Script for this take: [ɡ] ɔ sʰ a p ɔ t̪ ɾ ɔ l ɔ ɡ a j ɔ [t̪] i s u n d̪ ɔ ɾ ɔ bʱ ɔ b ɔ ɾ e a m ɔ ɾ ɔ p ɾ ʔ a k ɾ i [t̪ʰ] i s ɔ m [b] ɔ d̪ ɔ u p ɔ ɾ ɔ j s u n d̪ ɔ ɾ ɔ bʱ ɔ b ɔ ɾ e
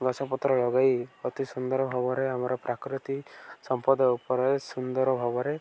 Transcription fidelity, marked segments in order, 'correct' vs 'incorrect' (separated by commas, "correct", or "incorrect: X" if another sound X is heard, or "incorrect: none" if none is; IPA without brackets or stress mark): correct, correct, incorrect: t̪, incorrect: p